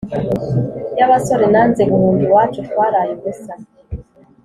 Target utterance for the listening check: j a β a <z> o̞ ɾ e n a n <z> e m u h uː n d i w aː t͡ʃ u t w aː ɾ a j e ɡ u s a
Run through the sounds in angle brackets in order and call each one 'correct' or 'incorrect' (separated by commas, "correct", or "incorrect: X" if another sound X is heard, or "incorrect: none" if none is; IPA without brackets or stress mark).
incorrect: s, correct